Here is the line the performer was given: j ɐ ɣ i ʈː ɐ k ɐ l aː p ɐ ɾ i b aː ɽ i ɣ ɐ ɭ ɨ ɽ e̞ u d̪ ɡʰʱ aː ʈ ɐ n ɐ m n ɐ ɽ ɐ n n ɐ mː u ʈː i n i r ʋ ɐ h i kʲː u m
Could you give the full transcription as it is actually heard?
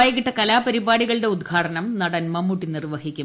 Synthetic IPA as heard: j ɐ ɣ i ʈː ɐ k ɐ l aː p ɐ ɾ i b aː ɽ i ɣ ɐ ɭ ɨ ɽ e̞ u d̪ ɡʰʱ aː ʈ ɐ n ɐ m n ɐ ɽ ɐ n m ɐ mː u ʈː i n i r ʋ ɐ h i kʲː u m